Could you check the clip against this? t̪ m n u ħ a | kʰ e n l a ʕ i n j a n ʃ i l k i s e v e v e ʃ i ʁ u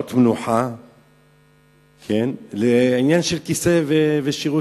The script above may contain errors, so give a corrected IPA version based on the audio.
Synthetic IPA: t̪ m n u ħ a | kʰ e n l e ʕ i n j a n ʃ e l k i s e v e v e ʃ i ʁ u